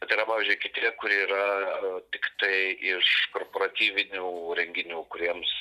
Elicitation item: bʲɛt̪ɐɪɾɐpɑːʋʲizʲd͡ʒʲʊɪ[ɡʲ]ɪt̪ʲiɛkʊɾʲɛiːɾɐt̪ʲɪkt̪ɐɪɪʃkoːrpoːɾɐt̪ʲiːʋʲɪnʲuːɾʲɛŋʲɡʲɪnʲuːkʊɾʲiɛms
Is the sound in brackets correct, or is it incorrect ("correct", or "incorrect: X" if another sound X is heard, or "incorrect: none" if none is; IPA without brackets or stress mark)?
incorrect: kʲ